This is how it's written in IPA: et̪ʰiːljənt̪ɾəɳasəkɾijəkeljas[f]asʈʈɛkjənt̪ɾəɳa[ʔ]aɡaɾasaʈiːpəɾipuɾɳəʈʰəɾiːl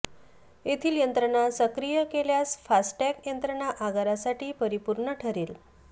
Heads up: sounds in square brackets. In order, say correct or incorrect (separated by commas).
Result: correct, correct